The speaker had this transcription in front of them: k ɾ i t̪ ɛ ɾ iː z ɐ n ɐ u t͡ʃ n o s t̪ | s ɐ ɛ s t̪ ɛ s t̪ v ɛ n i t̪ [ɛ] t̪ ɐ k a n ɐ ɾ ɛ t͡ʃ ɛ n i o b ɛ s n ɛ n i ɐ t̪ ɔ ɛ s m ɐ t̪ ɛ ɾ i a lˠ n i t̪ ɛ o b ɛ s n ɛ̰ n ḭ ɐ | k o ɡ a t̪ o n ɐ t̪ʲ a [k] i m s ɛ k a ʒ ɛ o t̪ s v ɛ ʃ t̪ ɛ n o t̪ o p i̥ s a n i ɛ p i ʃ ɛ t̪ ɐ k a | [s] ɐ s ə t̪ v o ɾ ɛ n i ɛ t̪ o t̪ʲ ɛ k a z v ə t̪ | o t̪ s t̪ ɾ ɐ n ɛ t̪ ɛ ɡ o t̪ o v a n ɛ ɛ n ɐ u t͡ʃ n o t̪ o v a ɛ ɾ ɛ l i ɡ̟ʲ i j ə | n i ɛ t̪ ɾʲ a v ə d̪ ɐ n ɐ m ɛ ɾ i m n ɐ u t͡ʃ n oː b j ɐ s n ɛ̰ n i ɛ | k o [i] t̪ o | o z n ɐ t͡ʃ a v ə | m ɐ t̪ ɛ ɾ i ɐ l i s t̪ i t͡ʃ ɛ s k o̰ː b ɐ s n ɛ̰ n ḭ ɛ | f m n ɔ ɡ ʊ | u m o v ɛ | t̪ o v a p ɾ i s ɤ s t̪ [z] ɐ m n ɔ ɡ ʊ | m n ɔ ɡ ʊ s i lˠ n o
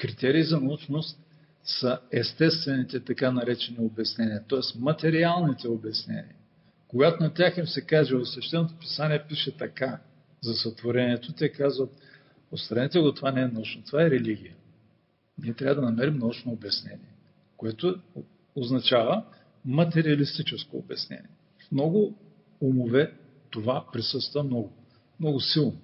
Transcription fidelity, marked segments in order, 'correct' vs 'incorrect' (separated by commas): correct, incorrect, incorrect, incorrect, incorrect